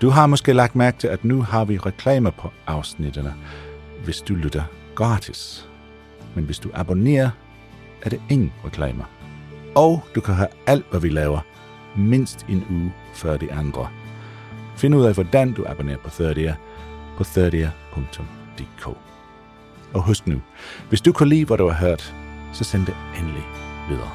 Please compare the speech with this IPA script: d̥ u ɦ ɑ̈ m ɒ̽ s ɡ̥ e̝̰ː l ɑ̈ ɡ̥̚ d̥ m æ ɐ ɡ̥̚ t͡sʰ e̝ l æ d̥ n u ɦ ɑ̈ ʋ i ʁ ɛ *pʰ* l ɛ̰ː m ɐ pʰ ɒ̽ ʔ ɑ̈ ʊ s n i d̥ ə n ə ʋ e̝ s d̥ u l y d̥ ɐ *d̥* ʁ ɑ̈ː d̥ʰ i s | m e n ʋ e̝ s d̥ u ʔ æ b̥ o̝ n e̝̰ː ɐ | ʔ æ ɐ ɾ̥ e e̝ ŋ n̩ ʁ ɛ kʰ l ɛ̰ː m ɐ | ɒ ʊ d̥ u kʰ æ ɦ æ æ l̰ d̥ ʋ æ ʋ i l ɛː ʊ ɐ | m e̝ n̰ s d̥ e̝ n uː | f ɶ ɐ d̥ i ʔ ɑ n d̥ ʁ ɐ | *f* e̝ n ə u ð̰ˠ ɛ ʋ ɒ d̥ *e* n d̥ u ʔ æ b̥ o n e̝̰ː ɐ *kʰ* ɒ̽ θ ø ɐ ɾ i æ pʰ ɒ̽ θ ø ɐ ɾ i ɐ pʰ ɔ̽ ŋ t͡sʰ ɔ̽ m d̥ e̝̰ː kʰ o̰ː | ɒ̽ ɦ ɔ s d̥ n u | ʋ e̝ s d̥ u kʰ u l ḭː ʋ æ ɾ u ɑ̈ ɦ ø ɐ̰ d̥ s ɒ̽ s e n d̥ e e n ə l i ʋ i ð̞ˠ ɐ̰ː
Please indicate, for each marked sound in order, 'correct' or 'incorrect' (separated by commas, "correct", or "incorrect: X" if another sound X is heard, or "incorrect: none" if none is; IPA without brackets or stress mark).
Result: incorrect: kʰ, incorrect: ɡ̥, correct, incorrect: æ, incorrect: pʰ